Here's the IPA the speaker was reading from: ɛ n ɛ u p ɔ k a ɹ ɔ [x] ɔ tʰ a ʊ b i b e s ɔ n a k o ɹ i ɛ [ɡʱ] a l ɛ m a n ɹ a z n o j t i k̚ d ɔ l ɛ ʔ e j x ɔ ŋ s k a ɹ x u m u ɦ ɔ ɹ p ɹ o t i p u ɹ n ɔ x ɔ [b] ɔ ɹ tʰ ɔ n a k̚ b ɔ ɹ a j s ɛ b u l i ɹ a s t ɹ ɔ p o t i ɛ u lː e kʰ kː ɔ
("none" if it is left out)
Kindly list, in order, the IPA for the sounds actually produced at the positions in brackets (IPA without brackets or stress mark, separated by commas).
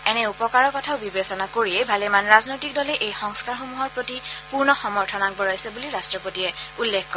k, bʱ, m